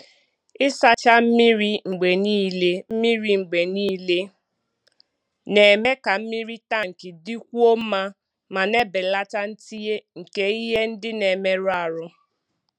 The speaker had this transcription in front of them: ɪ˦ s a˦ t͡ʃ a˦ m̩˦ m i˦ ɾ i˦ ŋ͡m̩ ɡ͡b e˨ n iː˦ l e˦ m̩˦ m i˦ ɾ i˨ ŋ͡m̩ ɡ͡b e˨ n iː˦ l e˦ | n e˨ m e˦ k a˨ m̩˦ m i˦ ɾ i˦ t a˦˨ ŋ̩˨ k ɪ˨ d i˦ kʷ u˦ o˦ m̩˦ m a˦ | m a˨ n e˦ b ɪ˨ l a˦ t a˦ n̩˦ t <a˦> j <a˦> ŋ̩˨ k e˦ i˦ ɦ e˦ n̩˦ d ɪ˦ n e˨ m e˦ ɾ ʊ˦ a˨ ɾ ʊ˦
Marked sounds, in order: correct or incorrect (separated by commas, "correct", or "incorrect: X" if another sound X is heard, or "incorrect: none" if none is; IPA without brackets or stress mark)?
incorrect: i˦, incorrect: e˦